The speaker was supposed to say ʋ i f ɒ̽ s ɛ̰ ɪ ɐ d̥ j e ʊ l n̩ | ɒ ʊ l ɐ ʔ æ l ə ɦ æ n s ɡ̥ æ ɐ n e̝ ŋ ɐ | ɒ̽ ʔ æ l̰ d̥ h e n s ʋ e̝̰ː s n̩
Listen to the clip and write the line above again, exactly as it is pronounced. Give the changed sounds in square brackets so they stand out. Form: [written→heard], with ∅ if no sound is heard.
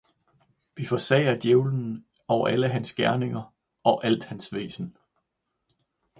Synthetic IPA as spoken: ʋ i f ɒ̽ s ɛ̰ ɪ ɐ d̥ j e ʊ l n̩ | ɒ ʊ [l→∅] ɐ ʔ æ l ə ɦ æ n s ɡ̥ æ ɐ n e̝ ŋ ɐ | ɒ̽ ʔ æ l̰ d̥ h [e→æ] n s ʋ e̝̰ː s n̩

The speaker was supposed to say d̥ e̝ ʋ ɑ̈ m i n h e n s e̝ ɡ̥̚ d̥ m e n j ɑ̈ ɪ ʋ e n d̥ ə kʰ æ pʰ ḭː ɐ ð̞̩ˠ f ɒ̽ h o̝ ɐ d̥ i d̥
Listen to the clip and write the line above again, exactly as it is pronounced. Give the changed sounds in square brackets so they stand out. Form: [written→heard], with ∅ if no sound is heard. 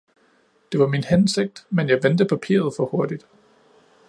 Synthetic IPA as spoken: d̥ e̝ ʋ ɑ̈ m i n h e n s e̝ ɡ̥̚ d̥ m e n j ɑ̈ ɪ ʋ e n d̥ ə [kʰ→pʰ] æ pʰ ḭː ɐ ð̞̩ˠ f ɒ̽ h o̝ ɐ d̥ i d̥

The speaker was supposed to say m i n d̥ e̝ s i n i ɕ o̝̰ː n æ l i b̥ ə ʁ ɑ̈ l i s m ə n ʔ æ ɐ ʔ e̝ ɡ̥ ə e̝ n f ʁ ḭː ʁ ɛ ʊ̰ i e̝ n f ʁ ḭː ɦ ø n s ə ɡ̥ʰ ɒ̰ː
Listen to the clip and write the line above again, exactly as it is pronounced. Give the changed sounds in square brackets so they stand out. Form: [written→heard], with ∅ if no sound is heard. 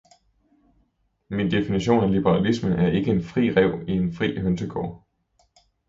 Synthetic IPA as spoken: m i n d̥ e̝ [s→f] i n i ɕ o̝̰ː n æ l i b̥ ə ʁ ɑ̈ l i s m ə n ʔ æ ɐ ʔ e̝ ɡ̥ ə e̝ n f ʁ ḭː ʁ ɛ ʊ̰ i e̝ n f ʁ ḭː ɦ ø n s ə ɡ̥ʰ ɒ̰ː

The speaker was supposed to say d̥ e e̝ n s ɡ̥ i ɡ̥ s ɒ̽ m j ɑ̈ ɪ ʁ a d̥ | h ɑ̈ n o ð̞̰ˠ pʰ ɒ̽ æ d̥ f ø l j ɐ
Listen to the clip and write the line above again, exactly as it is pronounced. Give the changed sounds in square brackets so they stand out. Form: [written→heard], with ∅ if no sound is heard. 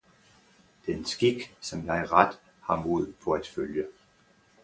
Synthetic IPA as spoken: d̥ e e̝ n s ɡ̥ i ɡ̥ s ɒ̽ m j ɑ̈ ɪ ʁ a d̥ | h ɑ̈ [n→m] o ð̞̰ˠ pʰ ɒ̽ æ d̥ f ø l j [ɐ→ə]

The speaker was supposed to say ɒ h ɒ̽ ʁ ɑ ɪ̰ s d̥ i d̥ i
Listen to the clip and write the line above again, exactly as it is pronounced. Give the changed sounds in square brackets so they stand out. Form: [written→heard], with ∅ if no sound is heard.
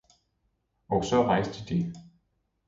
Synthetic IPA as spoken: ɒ [h→s] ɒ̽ ʁ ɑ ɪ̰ s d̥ i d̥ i

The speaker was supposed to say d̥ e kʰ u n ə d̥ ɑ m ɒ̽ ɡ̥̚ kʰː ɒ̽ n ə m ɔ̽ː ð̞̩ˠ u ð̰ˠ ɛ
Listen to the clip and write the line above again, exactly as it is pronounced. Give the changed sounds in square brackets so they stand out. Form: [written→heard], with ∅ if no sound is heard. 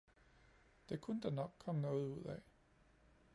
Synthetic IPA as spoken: d̥ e kʰ u n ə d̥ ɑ [m→n] ɒ̽ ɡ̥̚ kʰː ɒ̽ [n→m] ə [m→n] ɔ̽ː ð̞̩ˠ u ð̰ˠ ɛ

